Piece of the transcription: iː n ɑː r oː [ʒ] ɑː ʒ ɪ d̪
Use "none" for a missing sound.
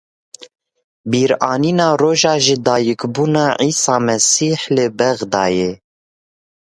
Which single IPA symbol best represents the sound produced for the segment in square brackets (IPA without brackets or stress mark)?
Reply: ʒ